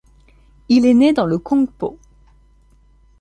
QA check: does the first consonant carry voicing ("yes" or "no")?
yes